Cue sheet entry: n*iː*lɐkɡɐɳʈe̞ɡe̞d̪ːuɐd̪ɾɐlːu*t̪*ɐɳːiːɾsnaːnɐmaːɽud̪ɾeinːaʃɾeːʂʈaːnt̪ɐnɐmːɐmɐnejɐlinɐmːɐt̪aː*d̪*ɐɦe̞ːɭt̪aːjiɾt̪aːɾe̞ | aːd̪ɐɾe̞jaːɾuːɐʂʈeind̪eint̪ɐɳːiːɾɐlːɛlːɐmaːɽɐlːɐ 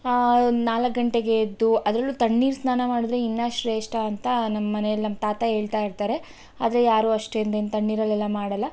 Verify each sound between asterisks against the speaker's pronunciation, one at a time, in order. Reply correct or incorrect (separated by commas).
incorrect, correct, incorrect